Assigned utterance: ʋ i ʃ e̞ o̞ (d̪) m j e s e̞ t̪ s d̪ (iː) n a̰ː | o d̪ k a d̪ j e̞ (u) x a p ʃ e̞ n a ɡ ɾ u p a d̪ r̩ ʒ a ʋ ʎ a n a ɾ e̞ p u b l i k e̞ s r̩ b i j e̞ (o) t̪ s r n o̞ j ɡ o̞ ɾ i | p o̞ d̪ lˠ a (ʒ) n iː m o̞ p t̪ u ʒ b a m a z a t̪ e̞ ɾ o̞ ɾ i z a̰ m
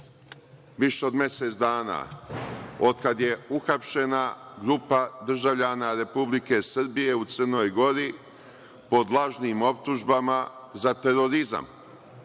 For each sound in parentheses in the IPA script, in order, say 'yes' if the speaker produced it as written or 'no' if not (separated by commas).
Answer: yes, no, yes, no, yes